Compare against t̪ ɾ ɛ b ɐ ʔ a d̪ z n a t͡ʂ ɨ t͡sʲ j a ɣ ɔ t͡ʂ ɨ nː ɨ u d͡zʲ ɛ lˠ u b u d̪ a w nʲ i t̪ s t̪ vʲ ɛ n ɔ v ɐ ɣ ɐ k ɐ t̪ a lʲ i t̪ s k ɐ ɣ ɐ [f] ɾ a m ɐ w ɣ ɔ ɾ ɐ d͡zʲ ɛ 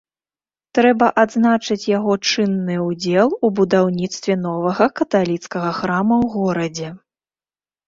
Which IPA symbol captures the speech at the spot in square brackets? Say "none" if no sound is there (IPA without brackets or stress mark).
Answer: x